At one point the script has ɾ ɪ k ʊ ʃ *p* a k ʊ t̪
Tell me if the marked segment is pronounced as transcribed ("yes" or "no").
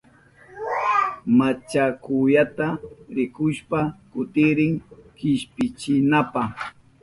yes